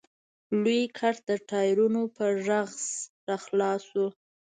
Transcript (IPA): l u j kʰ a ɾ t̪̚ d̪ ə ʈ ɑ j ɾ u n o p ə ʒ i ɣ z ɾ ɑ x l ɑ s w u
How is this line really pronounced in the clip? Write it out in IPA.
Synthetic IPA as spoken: l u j kʰ a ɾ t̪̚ d̪ ə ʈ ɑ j ɾ u n o p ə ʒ a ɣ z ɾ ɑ x l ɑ s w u